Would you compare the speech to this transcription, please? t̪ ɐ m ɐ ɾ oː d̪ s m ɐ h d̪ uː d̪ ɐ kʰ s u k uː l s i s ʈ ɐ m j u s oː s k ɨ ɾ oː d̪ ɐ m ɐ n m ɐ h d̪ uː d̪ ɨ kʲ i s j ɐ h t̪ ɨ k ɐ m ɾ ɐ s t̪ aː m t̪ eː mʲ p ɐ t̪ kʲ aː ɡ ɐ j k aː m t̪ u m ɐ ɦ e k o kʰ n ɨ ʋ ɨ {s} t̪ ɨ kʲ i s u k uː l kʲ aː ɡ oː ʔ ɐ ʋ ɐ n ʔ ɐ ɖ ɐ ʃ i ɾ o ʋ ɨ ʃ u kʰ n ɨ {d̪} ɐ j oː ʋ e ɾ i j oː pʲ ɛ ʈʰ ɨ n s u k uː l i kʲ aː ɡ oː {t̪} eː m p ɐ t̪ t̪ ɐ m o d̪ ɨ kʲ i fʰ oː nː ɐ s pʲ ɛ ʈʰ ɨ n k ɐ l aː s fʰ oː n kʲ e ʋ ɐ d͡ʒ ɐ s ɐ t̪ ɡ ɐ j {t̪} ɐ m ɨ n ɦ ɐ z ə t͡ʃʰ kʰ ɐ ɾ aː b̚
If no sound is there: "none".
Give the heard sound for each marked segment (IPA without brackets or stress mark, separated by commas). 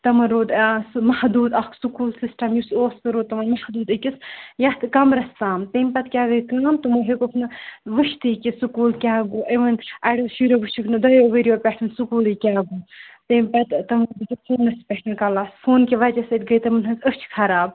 ʃ, d̪, t̪, t̪